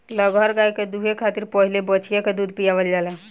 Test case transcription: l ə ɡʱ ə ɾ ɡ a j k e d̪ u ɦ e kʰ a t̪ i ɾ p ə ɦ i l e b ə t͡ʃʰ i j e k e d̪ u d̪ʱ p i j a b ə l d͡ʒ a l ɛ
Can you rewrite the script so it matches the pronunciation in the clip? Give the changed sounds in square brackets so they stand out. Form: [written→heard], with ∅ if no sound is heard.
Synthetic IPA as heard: l ə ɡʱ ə ɾ ɡ a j k e d̪ u ɦ e kʰ a t̪ i ɾ p ə ɦ i l e b ə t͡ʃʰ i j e k e d̪ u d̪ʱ p i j a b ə l d͡ʒ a l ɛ